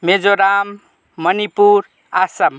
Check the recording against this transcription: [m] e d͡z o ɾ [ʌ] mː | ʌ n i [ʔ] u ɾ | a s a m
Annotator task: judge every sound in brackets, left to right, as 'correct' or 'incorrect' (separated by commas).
correct, incorrect, incorrect